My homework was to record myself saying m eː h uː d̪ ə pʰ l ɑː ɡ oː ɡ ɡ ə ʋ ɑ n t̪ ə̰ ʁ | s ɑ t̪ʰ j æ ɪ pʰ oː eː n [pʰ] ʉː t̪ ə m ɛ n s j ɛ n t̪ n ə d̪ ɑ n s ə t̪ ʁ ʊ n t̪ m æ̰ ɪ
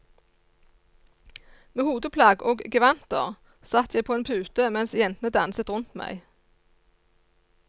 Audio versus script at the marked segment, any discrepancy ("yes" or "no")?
no